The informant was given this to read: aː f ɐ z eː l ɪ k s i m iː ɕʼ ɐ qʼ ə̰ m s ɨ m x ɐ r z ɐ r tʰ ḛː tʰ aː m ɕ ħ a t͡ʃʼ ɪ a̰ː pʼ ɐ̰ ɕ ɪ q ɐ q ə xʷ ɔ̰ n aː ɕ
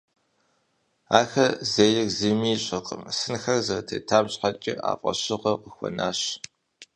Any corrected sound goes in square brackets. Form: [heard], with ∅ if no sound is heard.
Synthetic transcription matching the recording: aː [x] ɐ z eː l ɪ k [z] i m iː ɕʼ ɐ qʼ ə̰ m s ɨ [n] x ɐ r z ɐ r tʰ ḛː tʰ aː m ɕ ħ a t͡ʃʼ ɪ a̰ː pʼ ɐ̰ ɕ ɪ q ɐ q ə xʷ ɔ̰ n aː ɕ